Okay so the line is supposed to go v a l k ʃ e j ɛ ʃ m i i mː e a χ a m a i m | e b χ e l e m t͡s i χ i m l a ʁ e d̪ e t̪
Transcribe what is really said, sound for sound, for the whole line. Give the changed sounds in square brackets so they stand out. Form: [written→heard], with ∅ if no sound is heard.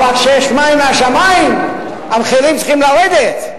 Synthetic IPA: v a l k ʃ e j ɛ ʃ m [i→a] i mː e a [χ→ʃ] a m a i m | [e→a] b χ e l [e→i] m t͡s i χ i m l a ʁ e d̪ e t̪